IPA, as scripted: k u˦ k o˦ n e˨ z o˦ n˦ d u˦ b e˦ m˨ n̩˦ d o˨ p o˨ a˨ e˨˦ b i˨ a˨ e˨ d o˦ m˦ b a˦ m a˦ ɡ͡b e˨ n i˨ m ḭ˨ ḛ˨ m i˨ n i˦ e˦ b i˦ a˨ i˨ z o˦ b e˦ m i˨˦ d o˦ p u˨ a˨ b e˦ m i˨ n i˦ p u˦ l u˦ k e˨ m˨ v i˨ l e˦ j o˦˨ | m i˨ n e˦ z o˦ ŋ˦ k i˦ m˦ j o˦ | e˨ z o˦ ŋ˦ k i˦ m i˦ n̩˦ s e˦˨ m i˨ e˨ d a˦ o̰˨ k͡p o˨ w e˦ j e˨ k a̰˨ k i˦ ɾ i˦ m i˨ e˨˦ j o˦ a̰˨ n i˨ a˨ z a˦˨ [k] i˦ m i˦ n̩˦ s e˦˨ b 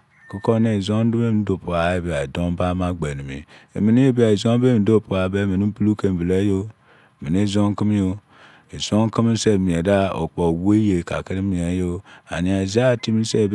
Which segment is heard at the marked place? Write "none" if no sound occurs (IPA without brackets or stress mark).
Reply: t